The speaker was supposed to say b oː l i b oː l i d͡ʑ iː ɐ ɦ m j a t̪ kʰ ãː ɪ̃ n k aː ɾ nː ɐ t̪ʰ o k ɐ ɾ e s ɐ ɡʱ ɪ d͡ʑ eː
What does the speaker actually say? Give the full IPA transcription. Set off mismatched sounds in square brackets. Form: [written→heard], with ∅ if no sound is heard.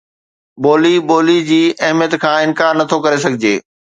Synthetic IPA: b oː l i b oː l i d͡ʑ iː ɐ ɦ m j [a→ə] t̪ kʰ ãː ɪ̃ n k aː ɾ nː ɐ t̪ʰ o k ɐ ɾ e s ɐ ɡʱ ɪ d͡ʑ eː